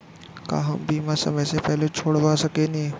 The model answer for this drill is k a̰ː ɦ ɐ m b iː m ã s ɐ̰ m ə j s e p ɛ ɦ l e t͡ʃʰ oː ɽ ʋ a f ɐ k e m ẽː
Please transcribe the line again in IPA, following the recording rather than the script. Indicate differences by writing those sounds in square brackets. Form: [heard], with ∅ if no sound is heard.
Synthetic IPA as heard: k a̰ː ɦ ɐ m b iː m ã s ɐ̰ m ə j s e p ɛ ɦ l e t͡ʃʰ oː ɽ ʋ a [s] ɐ k e [n] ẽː